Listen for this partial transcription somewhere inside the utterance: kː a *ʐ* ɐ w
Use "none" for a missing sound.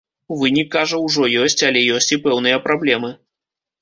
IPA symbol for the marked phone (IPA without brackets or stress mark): ʐ